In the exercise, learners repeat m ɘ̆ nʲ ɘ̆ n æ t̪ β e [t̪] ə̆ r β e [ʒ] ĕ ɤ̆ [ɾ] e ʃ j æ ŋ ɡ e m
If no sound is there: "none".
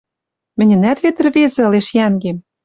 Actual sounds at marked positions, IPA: t̪, z, l

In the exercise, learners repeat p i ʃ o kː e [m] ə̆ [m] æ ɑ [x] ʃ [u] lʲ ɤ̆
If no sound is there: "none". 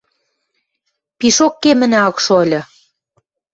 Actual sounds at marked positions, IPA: m, n, k, o

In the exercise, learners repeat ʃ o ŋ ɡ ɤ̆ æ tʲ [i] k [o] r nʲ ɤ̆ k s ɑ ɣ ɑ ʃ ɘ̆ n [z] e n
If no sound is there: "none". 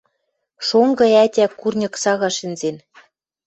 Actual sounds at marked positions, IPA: æ, u, z

